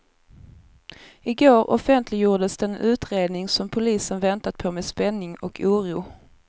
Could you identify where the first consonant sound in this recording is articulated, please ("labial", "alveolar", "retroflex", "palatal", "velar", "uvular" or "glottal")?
velar